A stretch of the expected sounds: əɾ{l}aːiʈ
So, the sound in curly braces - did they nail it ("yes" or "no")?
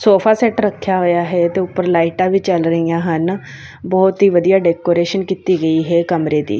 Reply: yes